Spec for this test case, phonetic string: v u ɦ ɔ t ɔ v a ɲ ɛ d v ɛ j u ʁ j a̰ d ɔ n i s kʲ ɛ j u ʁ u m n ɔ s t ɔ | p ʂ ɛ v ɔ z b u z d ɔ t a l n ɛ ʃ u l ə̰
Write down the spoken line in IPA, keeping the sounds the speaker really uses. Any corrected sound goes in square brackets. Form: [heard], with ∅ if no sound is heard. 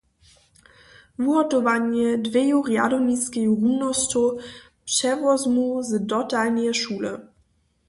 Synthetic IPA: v u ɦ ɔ t ɔ v a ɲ ɛ d v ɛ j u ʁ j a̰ d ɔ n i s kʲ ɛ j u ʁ u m n ɔ s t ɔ | p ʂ ɛ v ɔ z [m] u z d ɔ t a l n ɛ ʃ u l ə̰